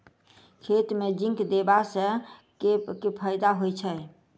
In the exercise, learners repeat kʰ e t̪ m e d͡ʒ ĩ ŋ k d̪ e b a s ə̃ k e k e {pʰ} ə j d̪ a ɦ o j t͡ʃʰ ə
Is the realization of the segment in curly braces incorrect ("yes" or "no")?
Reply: no